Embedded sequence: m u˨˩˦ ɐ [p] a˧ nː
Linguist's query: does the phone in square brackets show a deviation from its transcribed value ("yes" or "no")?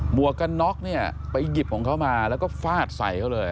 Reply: yes